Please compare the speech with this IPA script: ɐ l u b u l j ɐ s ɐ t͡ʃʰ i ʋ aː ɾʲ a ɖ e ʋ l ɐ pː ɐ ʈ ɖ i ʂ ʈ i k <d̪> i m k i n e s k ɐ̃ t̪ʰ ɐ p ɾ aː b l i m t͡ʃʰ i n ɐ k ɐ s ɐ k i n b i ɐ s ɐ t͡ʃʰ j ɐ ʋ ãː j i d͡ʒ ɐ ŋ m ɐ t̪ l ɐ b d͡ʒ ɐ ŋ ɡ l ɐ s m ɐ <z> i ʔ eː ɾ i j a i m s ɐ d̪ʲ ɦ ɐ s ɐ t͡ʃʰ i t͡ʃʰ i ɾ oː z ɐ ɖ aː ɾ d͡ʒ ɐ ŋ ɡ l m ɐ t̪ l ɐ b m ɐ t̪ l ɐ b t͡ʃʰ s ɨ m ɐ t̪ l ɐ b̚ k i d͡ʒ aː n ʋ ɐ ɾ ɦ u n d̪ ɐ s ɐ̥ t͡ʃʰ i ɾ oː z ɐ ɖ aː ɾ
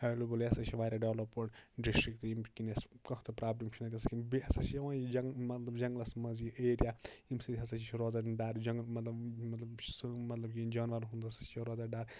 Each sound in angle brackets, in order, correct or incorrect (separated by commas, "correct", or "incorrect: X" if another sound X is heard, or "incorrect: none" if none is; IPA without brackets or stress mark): incorrect: t̪, correct